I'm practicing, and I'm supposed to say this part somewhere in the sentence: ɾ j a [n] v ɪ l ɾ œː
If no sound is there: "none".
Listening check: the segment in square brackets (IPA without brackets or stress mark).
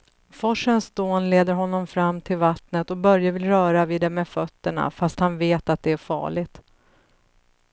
none